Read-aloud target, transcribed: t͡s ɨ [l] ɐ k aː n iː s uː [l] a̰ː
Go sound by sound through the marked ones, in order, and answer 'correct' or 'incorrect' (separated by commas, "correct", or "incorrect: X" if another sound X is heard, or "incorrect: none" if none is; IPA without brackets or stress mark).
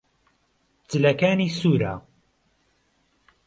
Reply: correct, incorrect: ɾ